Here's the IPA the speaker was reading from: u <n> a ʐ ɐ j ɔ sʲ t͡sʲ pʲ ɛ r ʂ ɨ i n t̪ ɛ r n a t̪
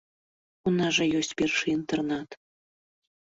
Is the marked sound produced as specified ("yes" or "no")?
yes